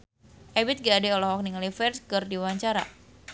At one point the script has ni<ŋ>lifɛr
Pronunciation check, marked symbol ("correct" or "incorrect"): correct